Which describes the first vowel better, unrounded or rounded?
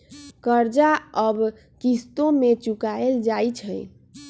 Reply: unrounded